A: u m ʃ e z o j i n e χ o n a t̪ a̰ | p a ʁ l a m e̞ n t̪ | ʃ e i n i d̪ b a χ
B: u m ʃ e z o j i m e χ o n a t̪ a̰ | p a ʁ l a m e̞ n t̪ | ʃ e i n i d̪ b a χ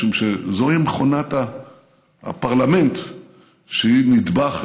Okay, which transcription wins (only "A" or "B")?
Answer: B